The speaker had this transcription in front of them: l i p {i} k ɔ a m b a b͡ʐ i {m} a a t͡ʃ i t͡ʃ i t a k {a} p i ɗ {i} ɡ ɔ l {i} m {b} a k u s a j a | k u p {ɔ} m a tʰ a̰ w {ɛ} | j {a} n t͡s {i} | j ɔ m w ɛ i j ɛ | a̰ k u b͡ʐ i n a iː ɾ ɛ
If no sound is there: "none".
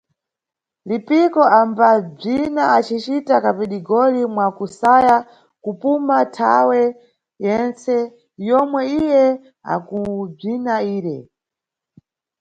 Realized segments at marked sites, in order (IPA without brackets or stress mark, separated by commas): i, n, a, i, i, w, u, ɛ, ɛ, ɛ